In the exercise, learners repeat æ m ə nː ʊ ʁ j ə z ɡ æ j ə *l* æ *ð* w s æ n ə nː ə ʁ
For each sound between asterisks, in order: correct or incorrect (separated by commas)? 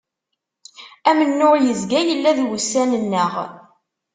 incorrect, correct